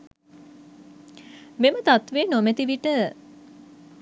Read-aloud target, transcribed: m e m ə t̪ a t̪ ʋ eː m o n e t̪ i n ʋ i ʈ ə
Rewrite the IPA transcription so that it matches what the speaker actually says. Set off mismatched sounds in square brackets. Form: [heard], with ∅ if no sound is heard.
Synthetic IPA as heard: m e m ə t̪ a t̪ ʋ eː [n] o [m] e t̪ i [∅] ʋ i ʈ ə